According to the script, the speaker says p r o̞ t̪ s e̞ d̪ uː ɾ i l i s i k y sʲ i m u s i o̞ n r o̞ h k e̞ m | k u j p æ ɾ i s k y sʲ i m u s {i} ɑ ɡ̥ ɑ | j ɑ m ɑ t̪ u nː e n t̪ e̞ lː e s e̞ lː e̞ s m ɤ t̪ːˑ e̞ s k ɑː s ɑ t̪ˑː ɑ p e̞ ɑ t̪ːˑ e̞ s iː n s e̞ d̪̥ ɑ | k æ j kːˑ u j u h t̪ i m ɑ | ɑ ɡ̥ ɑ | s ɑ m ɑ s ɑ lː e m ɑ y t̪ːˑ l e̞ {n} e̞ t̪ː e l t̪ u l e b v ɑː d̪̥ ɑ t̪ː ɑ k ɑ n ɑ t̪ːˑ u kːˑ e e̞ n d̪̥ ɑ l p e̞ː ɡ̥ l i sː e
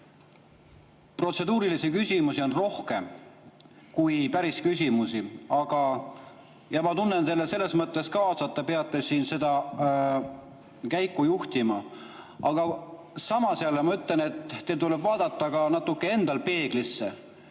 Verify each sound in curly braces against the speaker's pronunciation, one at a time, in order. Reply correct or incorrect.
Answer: correct, correct

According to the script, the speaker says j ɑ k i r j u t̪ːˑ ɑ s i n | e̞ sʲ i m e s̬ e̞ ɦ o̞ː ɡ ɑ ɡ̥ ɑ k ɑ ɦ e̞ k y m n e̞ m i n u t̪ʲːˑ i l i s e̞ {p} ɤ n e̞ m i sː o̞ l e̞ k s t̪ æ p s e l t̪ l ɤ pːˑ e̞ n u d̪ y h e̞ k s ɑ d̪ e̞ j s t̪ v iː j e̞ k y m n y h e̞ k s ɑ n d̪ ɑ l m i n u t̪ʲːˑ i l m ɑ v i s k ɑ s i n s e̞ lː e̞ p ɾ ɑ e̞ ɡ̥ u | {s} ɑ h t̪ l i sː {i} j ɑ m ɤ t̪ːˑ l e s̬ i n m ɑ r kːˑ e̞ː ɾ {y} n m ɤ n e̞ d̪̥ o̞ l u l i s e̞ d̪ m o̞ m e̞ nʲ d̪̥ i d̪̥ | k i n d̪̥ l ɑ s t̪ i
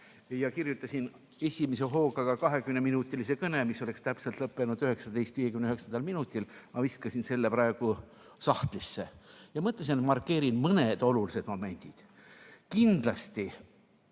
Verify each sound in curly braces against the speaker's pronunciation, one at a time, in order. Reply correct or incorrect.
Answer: incorrect: k, correct, incorrect: e, incorrect: i

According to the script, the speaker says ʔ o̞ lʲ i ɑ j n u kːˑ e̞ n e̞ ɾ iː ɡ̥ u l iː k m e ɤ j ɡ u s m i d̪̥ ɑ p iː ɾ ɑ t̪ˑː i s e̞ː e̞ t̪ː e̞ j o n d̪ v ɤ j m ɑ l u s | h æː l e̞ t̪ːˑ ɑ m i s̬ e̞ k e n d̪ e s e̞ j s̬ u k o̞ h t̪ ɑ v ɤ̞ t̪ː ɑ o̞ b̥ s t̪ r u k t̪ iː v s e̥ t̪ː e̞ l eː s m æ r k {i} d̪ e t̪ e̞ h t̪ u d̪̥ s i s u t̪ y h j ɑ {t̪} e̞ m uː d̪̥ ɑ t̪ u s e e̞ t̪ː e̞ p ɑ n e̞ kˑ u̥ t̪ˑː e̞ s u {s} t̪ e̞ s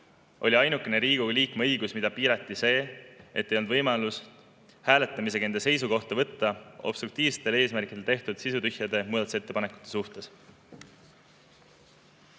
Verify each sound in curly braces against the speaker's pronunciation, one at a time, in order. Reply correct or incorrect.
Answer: correct, incorrect: d̪, incorrect: h

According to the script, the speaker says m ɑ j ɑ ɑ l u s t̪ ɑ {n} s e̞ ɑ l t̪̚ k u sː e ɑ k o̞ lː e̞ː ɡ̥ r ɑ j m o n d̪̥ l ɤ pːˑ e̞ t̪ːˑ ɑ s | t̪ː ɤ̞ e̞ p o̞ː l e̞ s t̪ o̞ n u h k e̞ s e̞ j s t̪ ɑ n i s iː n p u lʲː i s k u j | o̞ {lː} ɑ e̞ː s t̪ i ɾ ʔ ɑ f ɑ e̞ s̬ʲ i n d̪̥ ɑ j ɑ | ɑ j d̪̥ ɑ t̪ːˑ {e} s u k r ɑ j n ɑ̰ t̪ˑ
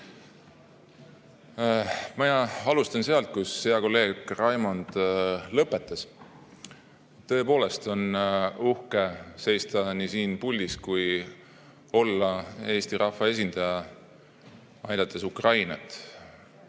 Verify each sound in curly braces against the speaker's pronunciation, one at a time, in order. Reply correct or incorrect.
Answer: correct, correct, correct

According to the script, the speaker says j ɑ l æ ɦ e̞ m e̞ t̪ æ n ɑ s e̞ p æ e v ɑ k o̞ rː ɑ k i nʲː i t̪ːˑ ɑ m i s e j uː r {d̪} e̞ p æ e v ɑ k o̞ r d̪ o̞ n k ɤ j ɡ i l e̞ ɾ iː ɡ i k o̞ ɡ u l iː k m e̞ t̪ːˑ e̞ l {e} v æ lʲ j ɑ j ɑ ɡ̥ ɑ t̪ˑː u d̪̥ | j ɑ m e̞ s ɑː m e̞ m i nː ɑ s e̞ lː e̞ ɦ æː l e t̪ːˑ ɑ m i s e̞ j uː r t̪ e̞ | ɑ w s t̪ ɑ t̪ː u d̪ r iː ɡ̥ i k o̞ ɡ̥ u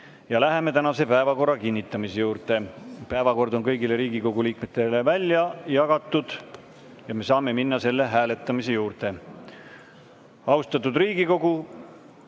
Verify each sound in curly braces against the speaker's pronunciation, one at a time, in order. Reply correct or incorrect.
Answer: incorrect: t̪, correct

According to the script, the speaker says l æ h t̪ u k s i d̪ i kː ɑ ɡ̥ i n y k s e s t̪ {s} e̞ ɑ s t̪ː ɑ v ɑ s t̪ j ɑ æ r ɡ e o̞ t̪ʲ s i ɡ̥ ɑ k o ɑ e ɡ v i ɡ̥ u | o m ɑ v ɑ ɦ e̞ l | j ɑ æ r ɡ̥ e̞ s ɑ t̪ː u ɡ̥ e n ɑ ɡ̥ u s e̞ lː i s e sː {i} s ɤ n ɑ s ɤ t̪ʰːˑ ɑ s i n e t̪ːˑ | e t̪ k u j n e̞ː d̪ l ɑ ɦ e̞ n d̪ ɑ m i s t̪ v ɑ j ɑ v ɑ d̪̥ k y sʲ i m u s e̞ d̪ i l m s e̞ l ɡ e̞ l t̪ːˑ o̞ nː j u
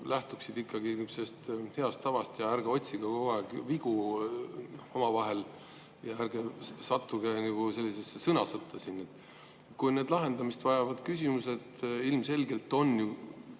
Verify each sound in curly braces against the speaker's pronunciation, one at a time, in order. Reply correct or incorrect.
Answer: incorrect: h, incorrect: e

